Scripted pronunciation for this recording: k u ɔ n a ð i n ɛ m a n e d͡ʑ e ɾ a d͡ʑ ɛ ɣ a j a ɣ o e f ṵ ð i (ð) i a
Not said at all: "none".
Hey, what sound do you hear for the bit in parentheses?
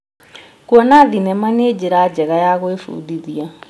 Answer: ð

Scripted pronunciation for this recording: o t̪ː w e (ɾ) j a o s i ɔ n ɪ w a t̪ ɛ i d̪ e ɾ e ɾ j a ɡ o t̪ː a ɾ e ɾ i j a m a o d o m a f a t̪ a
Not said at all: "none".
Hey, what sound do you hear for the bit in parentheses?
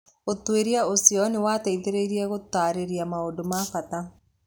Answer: ɾ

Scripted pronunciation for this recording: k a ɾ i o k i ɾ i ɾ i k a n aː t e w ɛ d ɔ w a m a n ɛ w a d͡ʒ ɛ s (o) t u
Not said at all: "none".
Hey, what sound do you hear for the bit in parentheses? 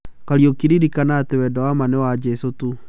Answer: o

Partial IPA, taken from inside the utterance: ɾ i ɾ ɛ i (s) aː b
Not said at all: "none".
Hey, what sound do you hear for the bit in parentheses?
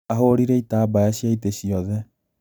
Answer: t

